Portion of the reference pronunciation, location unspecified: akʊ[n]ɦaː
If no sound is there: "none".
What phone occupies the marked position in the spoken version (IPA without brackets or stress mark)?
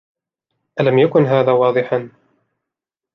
n